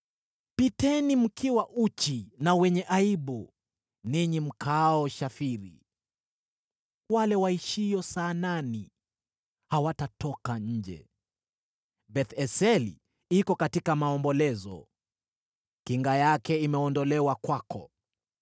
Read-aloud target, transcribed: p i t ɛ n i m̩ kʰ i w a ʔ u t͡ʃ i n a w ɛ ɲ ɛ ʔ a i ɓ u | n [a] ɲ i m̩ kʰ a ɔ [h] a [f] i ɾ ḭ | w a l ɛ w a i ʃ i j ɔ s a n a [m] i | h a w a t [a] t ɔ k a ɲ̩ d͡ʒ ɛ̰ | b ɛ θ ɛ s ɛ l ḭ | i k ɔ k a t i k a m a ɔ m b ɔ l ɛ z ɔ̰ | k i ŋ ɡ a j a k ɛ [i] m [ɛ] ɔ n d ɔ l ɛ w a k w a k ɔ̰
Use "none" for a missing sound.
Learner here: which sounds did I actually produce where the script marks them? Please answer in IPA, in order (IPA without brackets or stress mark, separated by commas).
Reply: i, ʃ, f, n, a, i, ɛ